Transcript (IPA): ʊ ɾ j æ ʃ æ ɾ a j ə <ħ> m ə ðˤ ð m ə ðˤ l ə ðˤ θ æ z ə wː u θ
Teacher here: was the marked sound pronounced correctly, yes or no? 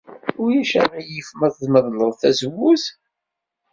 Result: no